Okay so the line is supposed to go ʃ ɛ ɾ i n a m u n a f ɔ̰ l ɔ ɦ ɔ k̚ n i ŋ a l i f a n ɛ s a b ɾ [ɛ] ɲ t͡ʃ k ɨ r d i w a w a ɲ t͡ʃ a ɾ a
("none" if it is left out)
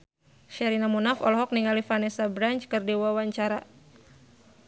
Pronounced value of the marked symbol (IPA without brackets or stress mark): a